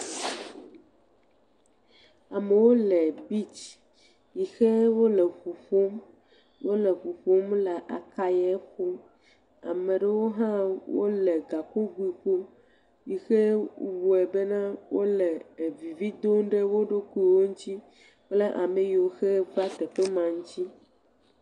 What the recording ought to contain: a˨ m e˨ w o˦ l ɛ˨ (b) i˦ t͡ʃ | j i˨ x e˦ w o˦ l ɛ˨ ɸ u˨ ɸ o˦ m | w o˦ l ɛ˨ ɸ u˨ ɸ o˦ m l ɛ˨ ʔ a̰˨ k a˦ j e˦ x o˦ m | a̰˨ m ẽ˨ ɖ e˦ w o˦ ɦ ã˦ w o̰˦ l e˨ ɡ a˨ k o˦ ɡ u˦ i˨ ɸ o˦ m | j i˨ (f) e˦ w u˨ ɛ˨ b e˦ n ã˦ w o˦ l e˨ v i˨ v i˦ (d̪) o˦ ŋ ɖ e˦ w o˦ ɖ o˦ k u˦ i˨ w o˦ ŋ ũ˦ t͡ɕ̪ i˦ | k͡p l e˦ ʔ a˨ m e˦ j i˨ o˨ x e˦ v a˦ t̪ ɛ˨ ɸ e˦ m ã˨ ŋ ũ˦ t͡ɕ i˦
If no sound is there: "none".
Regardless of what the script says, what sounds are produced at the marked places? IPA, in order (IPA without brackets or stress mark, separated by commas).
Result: b, x, d̪